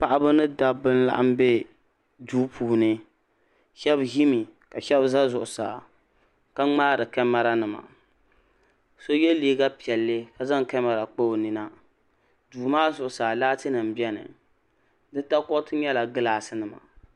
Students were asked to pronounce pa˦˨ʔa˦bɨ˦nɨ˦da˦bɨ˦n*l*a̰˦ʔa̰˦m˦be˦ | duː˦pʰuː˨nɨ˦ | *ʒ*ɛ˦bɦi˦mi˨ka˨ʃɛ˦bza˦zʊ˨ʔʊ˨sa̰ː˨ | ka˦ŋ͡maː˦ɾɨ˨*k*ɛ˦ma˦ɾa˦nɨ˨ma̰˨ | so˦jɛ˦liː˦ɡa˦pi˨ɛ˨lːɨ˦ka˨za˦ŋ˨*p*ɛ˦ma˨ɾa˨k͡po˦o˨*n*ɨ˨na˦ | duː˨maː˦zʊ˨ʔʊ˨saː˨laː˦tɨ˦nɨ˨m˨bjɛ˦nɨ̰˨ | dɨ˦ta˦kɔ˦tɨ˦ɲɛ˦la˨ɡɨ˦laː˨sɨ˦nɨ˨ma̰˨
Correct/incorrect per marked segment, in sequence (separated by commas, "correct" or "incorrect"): correct, incorrect, correct, incorrect, correct